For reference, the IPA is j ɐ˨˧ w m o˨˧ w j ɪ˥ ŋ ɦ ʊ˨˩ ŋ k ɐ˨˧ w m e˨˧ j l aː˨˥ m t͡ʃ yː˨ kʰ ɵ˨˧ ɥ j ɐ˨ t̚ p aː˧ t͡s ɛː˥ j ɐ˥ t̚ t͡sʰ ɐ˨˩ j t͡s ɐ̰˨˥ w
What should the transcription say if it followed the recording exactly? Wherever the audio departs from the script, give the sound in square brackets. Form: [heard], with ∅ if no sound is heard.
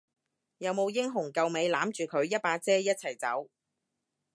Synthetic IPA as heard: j ɐ˨˧ w m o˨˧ w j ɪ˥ ŋ ɦ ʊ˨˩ ŋ k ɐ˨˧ w m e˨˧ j l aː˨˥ m t͡ʃ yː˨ kʰ ɵ˨˧ ɥ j [ɐ˥] t̚ p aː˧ t͡s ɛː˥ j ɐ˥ t̚ t͡sʰ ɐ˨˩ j t͡s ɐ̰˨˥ w